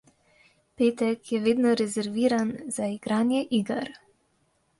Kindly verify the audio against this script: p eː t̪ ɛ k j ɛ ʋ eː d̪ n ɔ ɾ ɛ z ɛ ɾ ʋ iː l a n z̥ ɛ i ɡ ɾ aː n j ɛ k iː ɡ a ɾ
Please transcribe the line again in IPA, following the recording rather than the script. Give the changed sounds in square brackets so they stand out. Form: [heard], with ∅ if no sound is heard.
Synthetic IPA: p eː t̪ ɛ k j ɛ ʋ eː d̪ n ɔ ɾ ɛ z ɛ ɾ ʋ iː [ɾ] a n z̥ [a] i ɡ ɾ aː n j ɛ [ʔ] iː ɡ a ɾ